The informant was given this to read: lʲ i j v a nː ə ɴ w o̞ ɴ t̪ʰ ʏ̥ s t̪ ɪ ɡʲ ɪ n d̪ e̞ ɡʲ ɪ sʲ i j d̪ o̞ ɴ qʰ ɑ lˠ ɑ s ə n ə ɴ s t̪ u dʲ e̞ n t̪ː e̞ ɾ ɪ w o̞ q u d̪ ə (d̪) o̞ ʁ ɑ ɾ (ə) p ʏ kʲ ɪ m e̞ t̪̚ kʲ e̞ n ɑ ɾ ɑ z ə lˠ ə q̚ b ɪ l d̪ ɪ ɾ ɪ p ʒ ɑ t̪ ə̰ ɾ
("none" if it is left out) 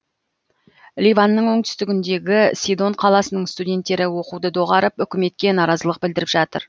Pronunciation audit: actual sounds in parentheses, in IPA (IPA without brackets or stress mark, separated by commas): d̪, ə